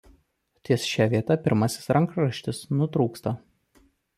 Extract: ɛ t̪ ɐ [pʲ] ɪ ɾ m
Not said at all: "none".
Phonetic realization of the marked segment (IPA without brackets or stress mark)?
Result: pʲ